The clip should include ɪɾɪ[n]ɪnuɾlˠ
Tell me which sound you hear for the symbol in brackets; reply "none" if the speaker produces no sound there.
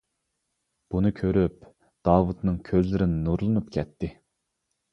n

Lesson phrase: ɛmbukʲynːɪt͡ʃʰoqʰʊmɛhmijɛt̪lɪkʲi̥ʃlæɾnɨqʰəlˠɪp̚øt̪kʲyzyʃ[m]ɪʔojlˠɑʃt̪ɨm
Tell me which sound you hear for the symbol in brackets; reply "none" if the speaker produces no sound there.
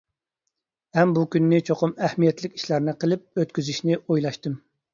n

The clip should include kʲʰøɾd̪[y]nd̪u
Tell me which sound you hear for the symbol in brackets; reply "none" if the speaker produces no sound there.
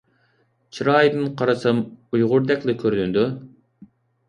y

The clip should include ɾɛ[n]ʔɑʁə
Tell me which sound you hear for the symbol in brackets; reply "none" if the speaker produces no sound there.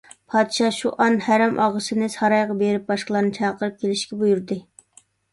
m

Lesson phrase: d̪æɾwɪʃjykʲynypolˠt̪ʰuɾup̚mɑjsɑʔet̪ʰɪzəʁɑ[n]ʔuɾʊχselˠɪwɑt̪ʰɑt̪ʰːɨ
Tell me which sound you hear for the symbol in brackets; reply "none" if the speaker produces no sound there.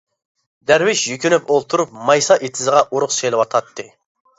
none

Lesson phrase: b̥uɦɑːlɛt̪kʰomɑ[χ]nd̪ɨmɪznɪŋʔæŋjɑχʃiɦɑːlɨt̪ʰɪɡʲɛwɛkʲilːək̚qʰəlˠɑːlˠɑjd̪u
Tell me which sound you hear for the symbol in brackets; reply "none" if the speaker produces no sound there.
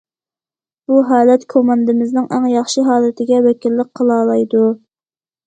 none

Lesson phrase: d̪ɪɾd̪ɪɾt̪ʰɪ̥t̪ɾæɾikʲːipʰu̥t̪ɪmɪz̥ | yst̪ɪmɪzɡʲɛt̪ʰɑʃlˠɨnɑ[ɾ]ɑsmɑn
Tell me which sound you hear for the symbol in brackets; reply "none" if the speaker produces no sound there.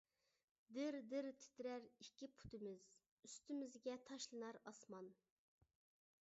ɾ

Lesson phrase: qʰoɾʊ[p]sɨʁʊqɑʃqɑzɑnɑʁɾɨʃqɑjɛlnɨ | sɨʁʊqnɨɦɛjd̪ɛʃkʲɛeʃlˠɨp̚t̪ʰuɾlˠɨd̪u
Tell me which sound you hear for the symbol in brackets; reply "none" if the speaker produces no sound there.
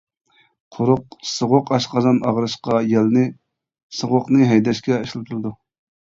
q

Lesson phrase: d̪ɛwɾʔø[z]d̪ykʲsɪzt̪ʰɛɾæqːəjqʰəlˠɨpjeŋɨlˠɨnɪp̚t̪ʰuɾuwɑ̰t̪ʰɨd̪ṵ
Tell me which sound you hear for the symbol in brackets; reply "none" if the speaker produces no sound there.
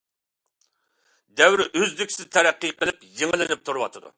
z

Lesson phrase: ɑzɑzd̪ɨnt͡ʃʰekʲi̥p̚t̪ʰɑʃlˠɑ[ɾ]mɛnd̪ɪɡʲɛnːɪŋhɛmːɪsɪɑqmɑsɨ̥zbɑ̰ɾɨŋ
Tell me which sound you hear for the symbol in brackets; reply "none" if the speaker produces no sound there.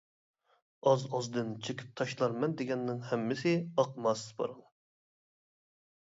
ɾ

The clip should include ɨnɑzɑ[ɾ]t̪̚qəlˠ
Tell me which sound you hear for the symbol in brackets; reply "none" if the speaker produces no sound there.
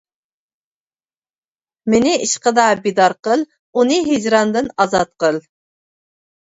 none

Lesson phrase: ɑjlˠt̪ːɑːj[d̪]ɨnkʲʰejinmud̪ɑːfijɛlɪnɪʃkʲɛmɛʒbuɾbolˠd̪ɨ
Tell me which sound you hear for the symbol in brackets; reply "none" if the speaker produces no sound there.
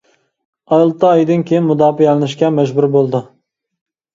d̪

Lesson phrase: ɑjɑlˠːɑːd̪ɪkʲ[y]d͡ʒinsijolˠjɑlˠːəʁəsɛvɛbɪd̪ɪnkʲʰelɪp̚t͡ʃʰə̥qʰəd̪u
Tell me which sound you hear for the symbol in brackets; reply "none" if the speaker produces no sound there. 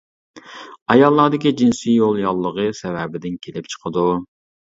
i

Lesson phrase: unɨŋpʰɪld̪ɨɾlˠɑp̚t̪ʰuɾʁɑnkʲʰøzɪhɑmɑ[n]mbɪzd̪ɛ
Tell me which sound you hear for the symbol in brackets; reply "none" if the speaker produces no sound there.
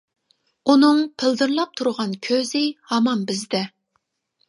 none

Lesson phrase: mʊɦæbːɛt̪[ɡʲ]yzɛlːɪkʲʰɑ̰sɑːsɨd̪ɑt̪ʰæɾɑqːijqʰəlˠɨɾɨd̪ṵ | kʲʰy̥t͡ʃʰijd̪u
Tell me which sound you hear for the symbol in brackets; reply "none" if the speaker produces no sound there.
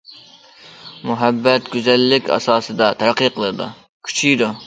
ɡʲ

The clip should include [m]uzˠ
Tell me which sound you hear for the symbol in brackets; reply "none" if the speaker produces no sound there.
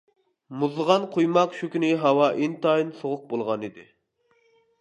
m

